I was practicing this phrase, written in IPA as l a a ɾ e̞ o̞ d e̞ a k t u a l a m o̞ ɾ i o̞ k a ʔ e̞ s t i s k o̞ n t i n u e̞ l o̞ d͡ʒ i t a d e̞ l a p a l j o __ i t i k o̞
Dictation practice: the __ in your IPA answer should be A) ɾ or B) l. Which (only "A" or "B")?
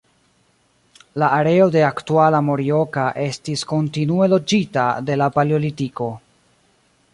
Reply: B